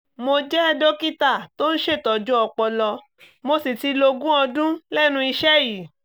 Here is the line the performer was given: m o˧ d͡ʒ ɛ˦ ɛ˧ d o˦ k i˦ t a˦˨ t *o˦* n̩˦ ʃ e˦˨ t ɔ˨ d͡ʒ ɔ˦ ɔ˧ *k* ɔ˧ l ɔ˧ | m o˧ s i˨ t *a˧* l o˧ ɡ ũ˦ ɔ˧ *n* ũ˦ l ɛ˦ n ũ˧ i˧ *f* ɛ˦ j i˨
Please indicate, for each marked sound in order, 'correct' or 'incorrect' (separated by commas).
correct, incorrect, incorrect, incorrect, incorrect